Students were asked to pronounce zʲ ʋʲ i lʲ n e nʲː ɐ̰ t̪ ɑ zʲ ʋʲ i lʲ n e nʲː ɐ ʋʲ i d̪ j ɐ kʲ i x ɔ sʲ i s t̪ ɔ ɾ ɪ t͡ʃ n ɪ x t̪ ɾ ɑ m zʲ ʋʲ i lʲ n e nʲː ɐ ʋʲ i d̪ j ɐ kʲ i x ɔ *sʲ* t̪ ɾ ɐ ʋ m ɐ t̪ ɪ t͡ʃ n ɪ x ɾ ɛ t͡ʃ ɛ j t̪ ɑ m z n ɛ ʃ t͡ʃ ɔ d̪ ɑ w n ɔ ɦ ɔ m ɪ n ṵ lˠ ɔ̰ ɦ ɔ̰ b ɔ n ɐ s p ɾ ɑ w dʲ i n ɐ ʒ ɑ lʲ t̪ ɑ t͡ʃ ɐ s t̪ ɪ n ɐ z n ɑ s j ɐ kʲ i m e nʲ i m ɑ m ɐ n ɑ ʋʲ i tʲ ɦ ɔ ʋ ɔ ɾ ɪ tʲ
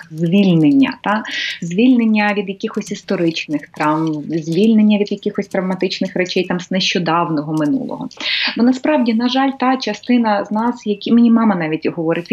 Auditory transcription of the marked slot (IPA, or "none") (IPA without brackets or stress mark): sʲ